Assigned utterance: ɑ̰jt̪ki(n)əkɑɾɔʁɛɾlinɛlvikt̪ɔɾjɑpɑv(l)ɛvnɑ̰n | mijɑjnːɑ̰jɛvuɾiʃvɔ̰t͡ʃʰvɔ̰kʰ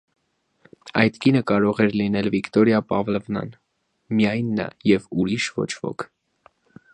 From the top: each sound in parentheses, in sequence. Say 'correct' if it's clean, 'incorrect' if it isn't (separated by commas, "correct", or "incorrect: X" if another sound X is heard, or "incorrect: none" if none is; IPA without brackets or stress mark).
correct, correct